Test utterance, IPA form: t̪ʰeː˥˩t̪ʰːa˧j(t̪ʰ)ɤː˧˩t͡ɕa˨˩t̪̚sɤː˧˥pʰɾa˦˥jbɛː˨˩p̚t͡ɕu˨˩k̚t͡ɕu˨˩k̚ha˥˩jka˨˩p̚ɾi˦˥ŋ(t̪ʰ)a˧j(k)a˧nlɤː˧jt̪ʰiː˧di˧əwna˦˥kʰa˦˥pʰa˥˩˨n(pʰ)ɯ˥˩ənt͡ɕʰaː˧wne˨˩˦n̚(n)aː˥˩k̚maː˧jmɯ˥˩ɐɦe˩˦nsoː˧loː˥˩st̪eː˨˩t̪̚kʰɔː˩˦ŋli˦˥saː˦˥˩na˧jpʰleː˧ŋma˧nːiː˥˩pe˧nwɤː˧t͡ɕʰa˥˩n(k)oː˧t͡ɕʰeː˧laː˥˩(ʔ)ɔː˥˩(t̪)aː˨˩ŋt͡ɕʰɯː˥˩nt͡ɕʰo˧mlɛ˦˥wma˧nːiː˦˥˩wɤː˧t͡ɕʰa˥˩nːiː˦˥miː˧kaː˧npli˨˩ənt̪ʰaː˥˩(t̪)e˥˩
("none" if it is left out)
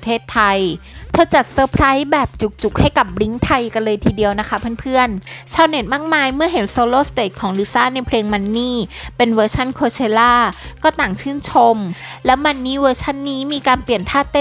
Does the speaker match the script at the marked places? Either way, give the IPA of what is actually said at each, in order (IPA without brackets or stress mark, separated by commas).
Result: t̪ʰ, t̪ʰ, k, pʰ, m, kʰ, k, t̪, t̪